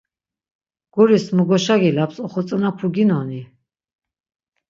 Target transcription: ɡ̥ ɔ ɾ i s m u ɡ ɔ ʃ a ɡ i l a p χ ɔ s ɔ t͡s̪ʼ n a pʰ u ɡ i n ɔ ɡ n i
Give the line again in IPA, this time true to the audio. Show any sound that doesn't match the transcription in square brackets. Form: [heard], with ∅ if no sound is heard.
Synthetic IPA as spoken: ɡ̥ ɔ ɾ i s m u ɡ ɔ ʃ a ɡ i l a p [s] ɔ [χ] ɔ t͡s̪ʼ n a pʰ u ɡ i n ɔ [∅] n i